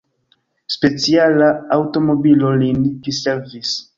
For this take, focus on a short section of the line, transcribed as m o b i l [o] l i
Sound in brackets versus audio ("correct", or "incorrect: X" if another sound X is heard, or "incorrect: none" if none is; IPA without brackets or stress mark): correct